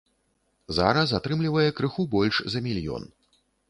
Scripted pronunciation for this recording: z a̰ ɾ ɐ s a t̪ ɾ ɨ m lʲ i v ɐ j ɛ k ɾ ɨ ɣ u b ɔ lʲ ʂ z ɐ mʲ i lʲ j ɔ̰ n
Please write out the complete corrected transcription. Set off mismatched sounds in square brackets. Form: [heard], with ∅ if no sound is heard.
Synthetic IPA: z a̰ ɾ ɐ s a t̪ ɾ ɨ m lʲ i v ɐ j ɛ k ɾ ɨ [x] u b ɔ lʲ ʂ z ɐ mʲ i lʲ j ɔ̰ n